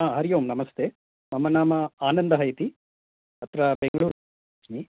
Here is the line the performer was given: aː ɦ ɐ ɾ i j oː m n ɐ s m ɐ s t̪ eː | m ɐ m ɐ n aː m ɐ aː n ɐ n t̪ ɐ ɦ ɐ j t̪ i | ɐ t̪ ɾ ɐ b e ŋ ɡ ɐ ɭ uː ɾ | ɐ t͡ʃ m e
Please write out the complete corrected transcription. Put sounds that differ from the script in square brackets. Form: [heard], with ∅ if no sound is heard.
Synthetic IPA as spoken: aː ɦ ɐ ɾ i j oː m n ɐ [∅] m ɐ s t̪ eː | m ɐ m ɐ n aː m ɐ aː n ɐ n [d̪] ɐ ɦ ɐ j t̪ i | ɐ t̪ ɾ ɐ b e ŋ ɡ ɐ ɭ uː ɾ | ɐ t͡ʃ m [i]